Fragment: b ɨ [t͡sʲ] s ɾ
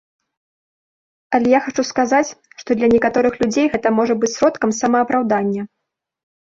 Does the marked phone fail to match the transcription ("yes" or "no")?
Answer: no